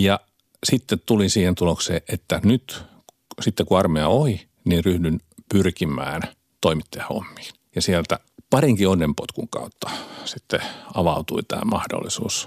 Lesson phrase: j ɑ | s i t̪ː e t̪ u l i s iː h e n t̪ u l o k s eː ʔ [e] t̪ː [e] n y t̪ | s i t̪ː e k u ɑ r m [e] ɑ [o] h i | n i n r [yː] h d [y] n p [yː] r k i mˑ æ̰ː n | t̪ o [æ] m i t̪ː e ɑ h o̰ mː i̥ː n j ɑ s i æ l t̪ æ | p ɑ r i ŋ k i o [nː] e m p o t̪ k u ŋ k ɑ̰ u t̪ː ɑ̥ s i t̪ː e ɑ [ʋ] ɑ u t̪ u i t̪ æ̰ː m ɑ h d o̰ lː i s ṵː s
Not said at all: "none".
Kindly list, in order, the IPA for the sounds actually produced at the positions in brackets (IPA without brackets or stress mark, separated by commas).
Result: e, æ, e, o, y, y, y, i, nː, ʋ